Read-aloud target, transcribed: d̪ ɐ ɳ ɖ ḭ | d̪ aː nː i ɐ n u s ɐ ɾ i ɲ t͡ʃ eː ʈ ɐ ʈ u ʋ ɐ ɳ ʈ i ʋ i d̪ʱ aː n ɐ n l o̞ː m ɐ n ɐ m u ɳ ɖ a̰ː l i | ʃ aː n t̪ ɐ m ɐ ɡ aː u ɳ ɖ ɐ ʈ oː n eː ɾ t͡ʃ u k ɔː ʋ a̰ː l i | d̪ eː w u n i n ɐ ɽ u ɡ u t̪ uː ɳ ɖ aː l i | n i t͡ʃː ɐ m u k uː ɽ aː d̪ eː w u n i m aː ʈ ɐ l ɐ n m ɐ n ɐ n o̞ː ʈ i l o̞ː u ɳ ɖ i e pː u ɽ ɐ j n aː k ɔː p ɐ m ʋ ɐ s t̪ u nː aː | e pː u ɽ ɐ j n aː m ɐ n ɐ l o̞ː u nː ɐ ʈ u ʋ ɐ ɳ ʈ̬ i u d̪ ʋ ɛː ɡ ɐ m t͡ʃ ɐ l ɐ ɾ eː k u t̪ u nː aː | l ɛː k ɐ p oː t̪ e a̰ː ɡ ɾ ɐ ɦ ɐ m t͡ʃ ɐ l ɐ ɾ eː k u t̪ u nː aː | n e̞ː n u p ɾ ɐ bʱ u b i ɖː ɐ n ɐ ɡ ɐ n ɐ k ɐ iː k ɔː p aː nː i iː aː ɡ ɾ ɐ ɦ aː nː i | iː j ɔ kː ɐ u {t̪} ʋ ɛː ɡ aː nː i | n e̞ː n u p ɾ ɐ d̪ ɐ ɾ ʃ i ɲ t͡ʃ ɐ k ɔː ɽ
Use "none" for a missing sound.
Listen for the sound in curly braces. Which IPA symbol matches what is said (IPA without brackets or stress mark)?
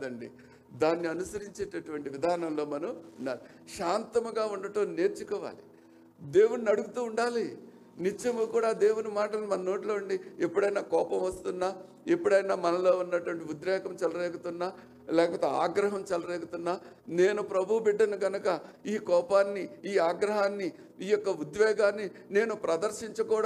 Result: d̪